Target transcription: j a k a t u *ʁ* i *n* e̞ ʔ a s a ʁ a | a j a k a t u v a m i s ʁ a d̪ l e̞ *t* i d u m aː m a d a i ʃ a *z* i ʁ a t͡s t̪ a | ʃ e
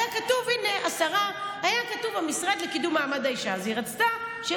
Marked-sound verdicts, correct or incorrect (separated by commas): incorrect, correct, incorrect, correct